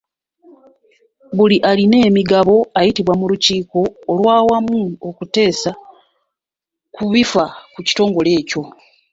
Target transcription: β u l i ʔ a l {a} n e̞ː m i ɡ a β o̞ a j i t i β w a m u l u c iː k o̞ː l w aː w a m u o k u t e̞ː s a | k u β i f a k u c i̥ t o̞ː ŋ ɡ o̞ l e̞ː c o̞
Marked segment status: incorrect: i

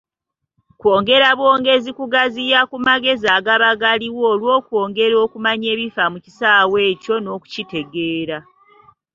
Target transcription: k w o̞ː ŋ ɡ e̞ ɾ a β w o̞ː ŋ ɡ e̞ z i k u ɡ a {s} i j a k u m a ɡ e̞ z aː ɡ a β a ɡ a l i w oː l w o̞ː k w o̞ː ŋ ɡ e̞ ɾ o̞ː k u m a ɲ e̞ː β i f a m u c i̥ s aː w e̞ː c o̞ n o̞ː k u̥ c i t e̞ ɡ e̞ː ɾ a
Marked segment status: incorrect: z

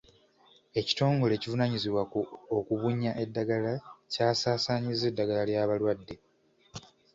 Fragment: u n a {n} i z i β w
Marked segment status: incorrect: ɲ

